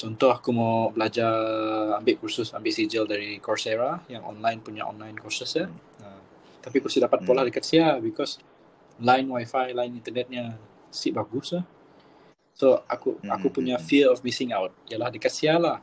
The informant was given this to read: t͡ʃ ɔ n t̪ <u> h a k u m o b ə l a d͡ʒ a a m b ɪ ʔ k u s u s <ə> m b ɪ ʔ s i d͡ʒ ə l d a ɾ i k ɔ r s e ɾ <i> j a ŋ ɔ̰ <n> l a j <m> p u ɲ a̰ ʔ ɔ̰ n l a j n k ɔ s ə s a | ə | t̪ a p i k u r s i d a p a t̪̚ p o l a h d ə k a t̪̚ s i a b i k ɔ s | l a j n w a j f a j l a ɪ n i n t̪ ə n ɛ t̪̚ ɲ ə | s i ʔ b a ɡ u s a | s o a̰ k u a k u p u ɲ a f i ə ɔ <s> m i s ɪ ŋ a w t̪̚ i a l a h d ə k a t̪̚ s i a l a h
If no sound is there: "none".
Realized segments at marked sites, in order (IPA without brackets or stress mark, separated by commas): ɔ, a, a, n, n, f